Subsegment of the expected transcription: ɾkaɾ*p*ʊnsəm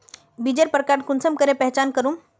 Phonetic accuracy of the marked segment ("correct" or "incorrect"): incorrect